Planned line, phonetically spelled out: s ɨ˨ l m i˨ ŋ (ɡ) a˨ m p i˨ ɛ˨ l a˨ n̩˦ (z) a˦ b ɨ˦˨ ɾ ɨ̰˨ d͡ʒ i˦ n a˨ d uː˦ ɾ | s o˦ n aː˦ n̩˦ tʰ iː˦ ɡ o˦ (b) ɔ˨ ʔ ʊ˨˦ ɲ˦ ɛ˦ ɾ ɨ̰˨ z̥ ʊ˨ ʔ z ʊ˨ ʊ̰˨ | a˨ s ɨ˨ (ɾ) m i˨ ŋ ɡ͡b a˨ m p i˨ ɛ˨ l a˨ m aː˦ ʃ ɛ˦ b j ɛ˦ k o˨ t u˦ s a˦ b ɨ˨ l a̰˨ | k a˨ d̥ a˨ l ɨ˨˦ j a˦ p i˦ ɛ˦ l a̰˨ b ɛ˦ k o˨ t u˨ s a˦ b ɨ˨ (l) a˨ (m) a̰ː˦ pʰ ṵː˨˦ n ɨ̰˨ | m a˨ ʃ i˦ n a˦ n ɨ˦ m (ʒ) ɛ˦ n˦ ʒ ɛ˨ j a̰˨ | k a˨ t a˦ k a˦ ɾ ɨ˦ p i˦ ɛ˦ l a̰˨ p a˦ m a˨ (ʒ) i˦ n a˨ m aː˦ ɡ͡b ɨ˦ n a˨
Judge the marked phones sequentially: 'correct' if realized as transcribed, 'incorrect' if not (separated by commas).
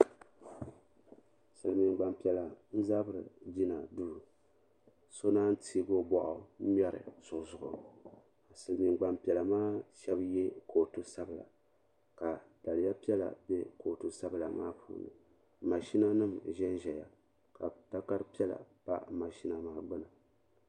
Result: incorrect, correct, correct, incorrect, correct, correct, correct, incorrect